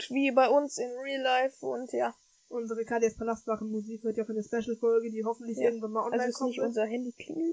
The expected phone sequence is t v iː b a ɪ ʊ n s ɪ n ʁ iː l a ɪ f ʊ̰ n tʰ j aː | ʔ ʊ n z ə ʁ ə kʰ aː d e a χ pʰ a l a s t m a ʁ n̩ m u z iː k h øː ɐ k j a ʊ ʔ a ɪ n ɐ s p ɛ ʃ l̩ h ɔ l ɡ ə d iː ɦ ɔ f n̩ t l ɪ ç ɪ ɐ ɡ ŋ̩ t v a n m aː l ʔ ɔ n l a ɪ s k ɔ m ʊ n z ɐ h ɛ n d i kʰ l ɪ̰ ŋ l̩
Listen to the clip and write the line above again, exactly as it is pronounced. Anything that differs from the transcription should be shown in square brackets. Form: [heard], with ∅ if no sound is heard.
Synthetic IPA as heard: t v iː b a ɪ ʊ n s ɪ n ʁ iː l a ɪ f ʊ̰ n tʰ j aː | ʔ ʊ n z ə ʁ ə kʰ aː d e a [s] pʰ a l a s t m a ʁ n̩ m u z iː k h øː ɐ [t] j a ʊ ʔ a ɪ n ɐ s p ɛ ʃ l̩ [f] ɔ l ɡ ə d iː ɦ ɔ f n̩ t l ɪ ç ɪ ɐ ɡ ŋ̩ t v a n m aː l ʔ ɔ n l a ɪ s k ɔ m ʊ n z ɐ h ɛ n d i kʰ l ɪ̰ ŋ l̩